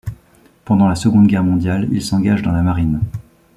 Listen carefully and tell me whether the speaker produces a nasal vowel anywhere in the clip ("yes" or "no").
yes